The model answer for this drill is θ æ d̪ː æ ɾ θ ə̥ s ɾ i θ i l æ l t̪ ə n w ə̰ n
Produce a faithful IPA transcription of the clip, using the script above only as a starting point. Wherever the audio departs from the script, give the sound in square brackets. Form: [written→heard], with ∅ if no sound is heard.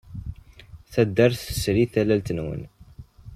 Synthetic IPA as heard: θ æ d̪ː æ ɾ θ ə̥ s ɾ i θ [i→æ] l æ l t̪ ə n w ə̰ n